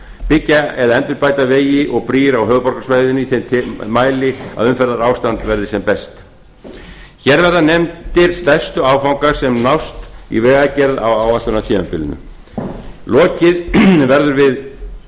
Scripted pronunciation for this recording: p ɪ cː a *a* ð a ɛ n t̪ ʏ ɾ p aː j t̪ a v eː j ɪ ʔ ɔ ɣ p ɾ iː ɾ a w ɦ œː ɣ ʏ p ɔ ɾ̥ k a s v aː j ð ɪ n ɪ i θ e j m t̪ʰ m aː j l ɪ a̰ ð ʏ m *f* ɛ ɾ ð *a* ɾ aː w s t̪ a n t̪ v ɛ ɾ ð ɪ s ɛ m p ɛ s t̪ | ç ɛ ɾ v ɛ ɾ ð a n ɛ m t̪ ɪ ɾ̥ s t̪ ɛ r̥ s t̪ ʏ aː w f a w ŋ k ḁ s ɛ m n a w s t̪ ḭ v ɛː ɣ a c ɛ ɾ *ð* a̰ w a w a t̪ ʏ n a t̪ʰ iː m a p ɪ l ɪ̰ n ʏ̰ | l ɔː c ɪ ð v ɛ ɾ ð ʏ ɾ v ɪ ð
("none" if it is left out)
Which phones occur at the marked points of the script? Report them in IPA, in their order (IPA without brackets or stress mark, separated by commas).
ɛ, f, a, ð